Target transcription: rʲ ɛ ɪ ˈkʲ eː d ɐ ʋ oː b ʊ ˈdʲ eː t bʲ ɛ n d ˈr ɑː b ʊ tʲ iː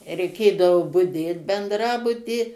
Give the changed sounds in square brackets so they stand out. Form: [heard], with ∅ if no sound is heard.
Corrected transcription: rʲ ɛ ɪ ˈkʲ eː d ɐ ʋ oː b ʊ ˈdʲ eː t bʲ ɛ n d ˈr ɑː b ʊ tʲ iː